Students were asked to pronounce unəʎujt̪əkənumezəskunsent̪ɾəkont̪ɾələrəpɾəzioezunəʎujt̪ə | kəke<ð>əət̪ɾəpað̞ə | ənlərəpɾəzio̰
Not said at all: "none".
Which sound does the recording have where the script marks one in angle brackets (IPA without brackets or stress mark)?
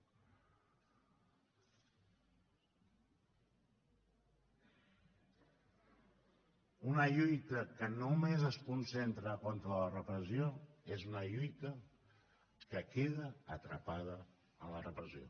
ð